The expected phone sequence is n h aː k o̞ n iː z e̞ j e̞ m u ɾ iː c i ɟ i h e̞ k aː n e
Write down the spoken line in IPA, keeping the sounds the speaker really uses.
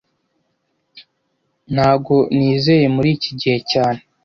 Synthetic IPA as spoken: n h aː ɡ o̞ n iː z e̞ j e̞ m u ɾ iː c i ɟ i h e̞ c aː n e